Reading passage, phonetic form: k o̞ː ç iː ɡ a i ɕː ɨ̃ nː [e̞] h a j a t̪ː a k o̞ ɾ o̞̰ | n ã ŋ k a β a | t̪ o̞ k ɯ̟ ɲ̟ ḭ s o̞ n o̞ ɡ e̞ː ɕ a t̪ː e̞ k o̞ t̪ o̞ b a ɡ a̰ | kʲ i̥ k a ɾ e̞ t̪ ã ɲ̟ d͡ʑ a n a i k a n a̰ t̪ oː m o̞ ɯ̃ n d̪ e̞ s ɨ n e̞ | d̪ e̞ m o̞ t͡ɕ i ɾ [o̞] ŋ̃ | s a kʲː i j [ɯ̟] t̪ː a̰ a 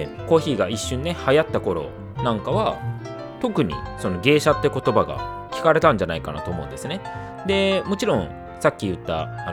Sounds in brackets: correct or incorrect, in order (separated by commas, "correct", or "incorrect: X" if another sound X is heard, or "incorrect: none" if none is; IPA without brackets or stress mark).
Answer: correct, incorrect: õ̞, correct